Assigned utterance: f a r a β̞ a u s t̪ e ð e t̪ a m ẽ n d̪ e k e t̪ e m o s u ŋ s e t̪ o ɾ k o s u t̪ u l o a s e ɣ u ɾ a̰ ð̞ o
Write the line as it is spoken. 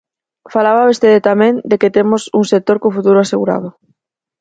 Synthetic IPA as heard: f a l a β̞ a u s t̪ e ð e t̪ a m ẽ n d̪ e k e t̪ e m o s u ŋ s e t̪ o ɾ k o f u t̪ u ɾ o a s e ɣ u ɾ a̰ ð̞ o